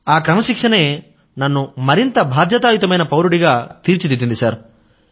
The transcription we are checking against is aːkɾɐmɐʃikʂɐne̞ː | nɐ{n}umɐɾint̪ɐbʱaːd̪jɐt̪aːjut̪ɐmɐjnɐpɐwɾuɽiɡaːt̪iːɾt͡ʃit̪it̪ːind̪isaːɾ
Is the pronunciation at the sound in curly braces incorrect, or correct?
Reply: incorrect